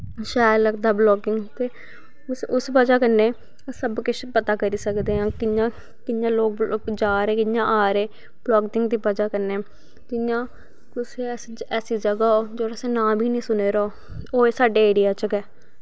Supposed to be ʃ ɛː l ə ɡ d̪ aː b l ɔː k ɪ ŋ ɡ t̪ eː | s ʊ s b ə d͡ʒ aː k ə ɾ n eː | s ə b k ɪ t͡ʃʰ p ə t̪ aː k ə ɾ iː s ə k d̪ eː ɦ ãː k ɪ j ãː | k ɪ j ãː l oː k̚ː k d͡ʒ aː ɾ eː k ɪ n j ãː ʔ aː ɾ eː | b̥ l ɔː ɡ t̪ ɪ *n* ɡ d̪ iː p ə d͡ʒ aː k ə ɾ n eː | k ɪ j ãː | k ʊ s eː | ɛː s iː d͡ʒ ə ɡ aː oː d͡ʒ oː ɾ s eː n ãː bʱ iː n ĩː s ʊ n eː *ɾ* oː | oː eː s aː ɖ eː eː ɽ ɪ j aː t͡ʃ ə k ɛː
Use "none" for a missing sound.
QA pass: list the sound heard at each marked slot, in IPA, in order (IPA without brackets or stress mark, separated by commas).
ŋ, ɾ